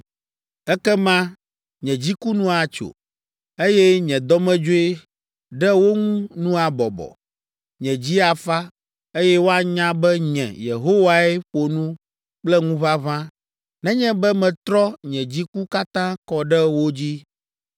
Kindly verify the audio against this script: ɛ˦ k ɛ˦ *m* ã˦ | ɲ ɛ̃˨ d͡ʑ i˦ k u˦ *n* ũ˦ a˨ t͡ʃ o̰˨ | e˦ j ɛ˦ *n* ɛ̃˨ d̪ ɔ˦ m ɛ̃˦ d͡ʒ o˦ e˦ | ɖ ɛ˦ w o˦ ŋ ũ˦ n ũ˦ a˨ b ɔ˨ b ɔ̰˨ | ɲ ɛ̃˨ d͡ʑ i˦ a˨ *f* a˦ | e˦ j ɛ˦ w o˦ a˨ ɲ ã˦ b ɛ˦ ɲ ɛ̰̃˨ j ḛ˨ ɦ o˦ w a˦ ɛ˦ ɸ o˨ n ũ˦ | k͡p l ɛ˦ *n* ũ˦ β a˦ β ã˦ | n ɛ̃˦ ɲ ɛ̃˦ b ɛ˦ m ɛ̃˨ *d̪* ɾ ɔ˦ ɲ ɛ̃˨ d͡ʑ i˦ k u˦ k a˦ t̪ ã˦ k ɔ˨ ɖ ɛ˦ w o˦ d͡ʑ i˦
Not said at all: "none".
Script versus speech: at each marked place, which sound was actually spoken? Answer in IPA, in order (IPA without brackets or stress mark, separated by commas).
m, n, ɲ, f, ŋ, t̪